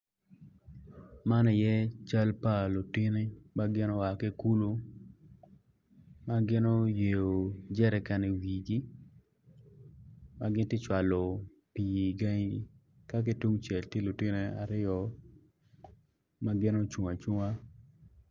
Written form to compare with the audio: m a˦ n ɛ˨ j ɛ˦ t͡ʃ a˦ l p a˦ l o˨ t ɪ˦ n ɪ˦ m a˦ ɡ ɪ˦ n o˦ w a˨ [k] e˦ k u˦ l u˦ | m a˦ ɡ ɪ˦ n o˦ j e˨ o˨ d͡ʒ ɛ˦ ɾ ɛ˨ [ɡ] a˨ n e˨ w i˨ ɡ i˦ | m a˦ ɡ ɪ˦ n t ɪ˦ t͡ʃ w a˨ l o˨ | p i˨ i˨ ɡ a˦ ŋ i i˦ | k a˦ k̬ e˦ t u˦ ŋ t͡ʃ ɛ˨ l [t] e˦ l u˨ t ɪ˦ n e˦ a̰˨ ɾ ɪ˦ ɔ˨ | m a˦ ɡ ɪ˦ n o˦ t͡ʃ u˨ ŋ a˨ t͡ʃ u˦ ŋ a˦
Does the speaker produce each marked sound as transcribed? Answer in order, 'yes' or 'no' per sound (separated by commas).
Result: yes, no, yes